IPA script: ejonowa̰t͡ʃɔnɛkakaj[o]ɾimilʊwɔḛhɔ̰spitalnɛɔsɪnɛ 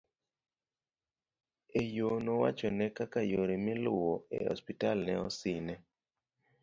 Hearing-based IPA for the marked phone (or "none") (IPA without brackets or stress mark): o